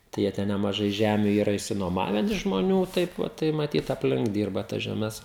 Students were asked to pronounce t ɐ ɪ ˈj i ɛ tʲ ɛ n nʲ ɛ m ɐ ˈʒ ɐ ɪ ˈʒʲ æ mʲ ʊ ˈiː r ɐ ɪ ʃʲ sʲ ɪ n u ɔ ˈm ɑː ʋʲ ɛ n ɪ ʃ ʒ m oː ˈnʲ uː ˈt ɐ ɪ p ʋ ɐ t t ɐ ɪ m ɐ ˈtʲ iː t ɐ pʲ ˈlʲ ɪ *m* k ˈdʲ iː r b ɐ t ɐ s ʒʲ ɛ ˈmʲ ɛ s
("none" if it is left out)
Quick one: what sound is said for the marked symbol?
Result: ŋ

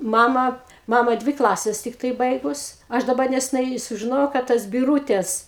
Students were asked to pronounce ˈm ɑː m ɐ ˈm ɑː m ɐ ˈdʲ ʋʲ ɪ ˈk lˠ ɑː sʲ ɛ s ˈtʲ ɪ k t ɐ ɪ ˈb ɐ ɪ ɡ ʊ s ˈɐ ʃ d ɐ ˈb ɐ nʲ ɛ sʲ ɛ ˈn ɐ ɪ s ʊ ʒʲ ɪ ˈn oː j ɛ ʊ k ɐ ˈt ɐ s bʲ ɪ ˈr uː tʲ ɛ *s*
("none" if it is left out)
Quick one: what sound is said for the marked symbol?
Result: s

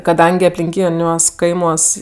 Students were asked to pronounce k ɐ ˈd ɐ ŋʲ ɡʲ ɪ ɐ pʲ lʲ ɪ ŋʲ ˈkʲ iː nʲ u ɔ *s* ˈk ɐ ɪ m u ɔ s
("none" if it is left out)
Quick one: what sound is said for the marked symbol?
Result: s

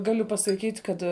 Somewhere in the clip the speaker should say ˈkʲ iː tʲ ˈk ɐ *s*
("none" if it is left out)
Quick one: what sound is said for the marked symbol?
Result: t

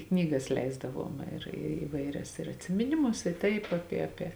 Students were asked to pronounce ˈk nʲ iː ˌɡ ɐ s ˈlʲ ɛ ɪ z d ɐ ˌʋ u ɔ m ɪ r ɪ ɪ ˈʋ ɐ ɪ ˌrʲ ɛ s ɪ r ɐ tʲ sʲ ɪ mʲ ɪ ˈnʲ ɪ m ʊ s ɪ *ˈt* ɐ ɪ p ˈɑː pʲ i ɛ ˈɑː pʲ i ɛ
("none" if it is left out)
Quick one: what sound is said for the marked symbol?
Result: t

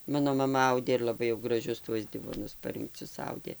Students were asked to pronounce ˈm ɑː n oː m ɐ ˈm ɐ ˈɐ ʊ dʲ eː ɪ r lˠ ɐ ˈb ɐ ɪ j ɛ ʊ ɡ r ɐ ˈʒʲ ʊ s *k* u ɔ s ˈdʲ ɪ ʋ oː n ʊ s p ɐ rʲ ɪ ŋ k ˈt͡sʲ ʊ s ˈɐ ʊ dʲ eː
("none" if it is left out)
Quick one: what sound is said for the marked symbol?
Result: t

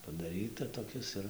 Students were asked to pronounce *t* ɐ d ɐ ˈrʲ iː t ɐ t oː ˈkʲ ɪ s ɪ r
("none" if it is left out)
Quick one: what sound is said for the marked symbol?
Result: p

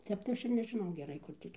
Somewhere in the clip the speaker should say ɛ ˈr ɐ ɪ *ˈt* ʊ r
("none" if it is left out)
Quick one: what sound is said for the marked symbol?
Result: k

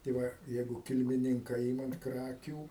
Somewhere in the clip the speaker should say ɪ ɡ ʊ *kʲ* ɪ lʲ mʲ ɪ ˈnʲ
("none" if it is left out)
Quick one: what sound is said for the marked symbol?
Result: kʲ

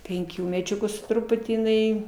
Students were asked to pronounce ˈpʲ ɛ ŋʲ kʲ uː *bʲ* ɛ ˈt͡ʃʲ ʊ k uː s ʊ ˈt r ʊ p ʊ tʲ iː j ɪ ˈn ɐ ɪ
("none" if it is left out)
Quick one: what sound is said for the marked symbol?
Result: mʲ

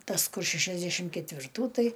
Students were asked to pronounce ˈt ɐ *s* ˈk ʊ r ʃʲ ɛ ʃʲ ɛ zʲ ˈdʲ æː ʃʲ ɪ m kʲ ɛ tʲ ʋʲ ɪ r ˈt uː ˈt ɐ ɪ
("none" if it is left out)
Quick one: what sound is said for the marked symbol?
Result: s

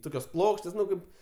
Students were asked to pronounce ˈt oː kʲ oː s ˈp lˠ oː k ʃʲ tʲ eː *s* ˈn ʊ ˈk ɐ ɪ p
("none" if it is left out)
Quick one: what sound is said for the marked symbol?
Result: s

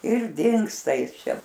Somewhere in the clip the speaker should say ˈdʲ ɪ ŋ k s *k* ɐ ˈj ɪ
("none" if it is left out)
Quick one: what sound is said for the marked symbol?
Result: t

